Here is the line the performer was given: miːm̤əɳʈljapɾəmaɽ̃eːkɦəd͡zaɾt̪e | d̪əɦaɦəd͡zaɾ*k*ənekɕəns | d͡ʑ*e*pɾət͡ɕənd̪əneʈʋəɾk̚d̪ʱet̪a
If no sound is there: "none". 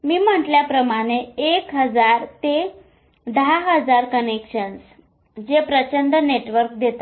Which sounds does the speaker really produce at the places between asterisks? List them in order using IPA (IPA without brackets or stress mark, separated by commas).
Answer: k, e